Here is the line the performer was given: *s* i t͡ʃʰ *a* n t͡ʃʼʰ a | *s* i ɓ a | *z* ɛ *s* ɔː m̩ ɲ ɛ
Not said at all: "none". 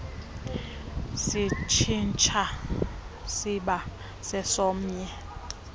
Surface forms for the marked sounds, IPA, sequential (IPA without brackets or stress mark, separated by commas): s, i, s, s, s